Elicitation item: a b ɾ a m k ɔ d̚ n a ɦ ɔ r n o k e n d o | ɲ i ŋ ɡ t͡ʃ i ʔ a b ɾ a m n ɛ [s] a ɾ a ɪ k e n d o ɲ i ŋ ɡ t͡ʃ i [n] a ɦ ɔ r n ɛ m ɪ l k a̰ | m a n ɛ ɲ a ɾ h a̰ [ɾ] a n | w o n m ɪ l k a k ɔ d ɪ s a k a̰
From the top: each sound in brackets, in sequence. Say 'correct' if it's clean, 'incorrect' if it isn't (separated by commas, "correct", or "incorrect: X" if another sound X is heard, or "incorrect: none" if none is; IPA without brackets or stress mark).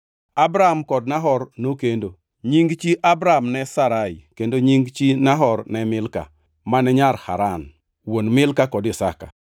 correct, correct, correct